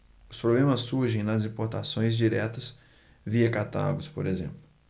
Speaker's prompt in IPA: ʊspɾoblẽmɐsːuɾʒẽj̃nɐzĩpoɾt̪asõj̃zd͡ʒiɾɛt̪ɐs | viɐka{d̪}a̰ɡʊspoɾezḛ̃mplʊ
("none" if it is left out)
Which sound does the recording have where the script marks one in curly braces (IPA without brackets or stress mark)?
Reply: t̪